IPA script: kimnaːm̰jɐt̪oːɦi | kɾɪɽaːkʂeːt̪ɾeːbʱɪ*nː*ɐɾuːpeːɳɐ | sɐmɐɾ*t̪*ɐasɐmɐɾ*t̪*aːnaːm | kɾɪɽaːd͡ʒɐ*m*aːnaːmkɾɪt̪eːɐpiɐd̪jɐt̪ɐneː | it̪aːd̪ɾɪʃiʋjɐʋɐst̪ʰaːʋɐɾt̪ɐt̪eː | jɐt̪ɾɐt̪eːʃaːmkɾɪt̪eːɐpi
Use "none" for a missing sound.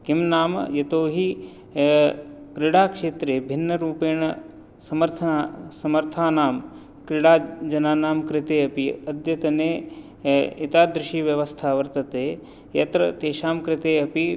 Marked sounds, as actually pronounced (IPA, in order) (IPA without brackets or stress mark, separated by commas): nː, t̪ʰ, t̪ʰ, n